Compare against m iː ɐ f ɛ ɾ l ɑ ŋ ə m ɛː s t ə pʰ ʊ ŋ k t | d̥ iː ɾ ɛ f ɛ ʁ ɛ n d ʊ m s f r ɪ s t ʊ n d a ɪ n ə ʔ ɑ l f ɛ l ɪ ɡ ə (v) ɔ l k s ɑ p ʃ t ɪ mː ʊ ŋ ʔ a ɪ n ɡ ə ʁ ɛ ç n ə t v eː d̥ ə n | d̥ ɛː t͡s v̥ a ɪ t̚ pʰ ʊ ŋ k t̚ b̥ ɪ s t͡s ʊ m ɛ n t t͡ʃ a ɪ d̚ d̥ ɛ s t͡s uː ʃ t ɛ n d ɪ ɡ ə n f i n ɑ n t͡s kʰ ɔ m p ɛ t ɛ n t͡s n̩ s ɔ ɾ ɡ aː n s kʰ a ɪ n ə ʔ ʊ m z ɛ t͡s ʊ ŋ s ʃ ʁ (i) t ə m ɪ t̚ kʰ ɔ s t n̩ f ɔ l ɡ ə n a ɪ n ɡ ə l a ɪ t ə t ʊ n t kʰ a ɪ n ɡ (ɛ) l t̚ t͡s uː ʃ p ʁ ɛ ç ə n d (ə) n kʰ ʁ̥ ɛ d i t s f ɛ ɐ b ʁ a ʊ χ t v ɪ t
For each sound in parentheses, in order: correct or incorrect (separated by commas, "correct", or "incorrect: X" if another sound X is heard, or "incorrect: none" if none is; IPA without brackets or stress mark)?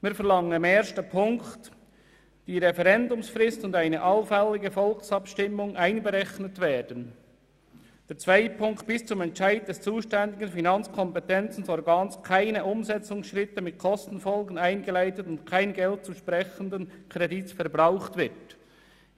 incorrect: f, incorrect: ɪ, correct, correct